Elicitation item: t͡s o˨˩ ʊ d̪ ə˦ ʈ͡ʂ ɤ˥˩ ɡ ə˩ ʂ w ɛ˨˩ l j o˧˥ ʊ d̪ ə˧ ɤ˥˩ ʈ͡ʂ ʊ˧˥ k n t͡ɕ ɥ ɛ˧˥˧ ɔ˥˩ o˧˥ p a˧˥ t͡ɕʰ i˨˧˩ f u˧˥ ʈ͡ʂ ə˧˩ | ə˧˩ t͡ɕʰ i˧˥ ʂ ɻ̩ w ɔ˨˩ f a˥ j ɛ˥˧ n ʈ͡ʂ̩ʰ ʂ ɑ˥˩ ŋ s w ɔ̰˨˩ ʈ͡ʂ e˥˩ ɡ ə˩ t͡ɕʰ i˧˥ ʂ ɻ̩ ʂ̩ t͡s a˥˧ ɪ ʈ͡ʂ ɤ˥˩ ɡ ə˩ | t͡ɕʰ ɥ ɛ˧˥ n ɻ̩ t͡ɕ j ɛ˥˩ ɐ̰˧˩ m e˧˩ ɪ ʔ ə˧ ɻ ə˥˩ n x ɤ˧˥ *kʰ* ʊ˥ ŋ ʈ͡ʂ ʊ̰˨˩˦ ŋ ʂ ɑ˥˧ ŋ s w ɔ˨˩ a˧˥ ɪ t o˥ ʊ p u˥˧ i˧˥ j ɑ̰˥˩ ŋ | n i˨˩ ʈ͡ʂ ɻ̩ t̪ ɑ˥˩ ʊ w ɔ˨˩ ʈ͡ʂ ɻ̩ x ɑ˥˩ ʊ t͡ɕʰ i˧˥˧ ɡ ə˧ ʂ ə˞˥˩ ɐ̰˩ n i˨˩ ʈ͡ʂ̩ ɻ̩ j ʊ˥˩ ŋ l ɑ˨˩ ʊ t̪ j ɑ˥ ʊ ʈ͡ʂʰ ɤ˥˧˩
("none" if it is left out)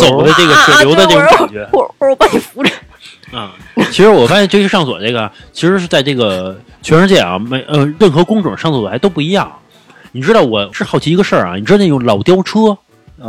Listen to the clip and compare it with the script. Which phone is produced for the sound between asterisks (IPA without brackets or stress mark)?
k